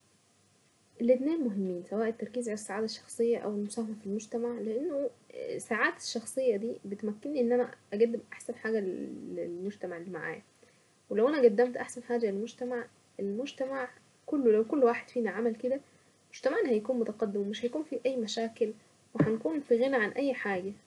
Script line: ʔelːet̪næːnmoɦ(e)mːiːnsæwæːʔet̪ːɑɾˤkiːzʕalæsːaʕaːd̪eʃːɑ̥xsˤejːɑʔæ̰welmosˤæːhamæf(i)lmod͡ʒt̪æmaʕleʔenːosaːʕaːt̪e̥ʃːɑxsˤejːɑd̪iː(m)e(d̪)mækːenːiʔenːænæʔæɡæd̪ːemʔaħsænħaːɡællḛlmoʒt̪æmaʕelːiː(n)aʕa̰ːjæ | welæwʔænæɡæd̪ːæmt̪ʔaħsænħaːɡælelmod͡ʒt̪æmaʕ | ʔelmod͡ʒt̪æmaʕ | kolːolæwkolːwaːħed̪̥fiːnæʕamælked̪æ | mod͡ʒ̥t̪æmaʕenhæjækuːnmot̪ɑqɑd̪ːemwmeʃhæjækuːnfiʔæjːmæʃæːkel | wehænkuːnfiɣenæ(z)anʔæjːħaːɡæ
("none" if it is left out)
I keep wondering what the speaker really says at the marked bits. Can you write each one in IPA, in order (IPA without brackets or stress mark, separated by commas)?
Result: e, i, b, t̪, m, ʕ